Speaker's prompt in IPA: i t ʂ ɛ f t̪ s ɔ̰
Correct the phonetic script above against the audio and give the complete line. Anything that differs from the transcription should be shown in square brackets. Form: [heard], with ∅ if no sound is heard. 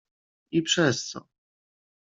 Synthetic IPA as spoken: i [p] ʂ ɛ [s] t̪ s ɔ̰